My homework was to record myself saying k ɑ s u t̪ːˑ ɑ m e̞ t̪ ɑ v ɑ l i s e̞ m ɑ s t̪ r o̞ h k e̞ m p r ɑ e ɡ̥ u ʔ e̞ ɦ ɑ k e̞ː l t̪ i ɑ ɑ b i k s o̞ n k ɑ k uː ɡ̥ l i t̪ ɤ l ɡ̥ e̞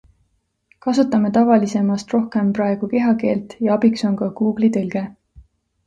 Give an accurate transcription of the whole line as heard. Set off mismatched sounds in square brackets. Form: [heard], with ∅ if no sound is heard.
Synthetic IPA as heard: k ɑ s u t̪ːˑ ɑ m e̞ t̪ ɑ v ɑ l i s e̞ m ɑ s t̪ r o̞ h k e̞ m p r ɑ e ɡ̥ u [k] e̞ ɦ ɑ k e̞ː l t̪ [j] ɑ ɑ b i k s o̞ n k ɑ k uː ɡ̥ l i t̪ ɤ l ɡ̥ e̞